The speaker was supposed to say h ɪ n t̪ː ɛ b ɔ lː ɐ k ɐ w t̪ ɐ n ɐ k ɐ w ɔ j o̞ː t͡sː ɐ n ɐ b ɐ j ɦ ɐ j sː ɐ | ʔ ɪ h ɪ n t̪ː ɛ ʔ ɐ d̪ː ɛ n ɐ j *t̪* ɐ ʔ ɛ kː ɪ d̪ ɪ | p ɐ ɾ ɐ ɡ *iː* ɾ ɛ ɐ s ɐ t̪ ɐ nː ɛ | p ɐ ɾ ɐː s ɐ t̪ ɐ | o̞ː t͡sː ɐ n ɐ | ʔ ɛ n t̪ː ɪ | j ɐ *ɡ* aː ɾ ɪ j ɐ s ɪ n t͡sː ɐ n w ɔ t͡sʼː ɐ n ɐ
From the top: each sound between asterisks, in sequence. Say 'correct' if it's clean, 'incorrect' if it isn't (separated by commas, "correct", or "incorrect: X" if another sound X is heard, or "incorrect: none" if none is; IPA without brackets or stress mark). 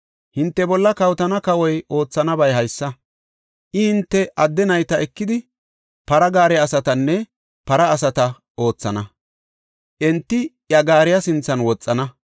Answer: correct, incorrect: aː, correct